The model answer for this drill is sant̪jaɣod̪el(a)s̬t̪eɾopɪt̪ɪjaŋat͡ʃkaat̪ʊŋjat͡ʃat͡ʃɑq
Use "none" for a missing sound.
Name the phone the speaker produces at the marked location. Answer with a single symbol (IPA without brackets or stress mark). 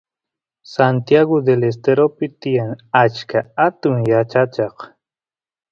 e